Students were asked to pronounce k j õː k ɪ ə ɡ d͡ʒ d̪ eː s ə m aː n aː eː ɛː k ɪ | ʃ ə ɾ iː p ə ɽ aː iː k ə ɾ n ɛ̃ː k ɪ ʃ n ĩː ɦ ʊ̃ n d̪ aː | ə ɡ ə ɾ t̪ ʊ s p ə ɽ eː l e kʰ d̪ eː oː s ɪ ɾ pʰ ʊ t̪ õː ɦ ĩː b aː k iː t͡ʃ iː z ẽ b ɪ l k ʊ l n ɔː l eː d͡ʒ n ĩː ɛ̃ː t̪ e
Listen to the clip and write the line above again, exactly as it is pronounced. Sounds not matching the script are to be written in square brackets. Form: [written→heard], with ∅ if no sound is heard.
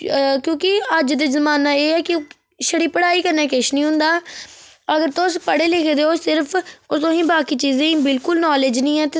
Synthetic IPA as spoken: k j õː k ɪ ə [ɡ→∅] d͡ʒ d̪ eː [s→z] ə m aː n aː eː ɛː k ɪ | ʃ ə [ɾ→ɽ] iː p ə ɽ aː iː k ə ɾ n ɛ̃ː k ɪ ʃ n ĩː ɦ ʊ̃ n d̪ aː | ə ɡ ə ɾ t̪ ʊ s p ə ɽ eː l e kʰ d̪ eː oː s ɪ ɾ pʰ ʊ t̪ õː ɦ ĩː b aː k iː t͡ʃ iː z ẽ b ɪ l k ʊ l n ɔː l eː d͡ʒ n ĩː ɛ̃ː t̪ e